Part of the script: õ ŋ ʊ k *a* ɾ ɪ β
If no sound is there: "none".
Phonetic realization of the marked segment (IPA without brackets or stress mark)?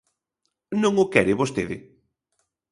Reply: ɛ